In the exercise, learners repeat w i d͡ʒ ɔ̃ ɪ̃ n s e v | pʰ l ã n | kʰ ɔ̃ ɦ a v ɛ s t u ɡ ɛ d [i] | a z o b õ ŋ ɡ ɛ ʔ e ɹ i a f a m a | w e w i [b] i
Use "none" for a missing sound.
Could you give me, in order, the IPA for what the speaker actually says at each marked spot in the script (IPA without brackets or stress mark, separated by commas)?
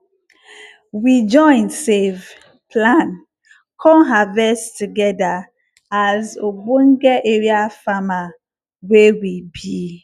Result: a, b